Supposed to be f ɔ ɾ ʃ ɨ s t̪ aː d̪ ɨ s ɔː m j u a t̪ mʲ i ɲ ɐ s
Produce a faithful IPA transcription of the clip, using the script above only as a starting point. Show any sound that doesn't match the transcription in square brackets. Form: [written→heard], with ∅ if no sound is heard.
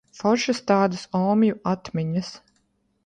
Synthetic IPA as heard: f ɔ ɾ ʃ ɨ s t̪ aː d̪ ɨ s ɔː m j u a t̪ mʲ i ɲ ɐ s

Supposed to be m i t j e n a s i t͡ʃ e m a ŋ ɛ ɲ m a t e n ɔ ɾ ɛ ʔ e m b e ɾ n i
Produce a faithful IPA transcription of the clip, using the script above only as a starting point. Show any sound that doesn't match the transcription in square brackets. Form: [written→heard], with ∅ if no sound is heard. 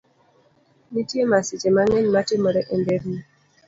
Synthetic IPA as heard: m i t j e [n→m] a s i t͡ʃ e m a ŋ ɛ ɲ m a t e [n→m] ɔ ɾ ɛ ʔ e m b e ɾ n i

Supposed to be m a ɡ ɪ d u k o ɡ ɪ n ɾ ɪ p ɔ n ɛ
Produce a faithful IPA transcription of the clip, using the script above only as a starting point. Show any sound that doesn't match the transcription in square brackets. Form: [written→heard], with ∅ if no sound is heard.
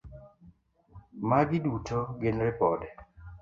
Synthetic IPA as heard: m a ɡ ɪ d u [k→t] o ɡ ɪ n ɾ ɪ p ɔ [n→d] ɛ

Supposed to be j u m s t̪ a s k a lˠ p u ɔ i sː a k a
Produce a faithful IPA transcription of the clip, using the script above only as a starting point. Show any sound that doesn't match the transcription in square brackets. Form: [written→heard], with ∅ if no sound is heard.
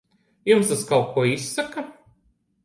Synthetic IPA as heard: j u m s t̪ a s k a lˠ [p→k] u ɔ i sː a k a

